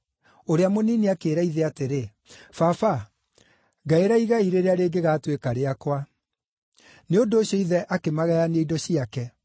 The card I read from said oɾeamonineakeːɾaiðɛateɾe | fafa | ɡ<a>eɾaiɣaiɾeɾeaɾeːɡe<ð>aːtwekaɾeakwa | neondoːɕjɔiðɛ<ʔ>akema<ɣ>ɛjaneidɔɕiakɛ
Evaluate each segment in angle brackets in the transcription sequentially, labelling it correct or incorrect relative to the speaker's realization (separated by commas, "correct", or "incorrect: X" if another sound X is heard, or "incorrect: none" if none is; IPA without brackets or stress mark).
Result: correct, incorrect: ɣ, correct, correct